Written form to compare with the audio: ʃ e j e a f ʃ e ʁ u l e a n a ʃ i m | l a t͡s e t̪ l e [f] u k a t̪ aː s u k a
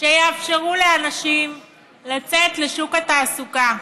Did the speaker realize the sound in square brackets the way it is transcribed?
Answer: no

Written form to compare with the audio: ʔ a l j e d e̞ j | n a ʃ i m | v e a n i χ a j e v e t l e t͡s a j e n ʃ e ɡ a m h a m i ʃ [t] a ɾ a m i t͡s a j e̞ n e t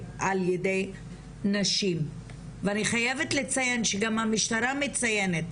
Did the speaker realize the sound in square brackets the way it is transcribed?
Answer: yes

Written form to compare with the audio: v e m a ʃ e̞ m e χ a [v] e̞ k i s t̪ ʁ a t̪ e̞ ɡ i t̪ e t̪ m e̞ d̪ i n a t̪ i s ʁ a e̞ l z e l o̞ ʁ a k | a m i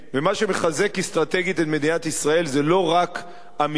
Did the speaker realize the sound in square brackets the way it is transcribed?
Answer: no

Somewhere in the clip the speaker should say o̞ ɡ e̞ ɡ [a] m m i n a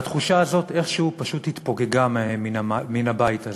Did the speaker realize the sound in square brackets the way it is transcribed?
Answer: yes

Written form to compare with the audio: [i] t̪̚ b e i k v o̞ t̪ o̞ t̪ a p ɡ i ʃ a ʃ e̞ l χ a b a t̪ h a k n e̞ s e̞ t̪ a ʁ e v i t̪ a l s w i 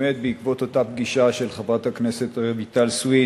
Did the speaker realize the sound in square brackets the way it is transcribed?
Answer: no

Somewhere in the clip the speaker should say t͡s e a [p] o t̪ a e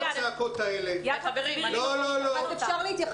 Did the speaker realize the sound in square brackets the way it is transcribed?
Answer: no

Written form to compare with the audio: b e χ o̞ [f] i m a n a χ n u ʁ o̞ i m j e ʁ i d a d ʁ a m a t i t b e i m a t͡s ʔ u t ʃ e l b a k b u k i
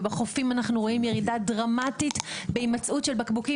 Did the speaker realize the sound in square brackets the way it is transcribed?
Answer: yes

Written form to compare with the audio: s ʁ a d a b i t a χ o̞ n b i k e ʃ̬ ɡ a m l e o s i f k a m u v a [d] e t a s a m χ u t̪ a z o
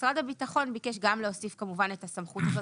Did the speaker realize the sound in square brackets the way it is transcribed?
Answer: no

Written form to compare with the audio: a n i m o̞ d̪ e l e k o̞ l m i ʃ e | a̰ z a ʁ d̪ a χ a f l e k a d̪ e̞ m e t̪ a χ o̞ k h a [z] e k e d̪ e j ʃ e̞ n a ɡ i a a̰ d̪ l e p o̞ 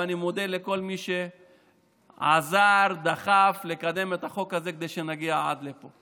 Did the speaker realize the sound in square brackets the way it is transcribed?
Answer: yes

